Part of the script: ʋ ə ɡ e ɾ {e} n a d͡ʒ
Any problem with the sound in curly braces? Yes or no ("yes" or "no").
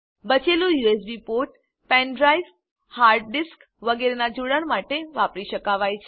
no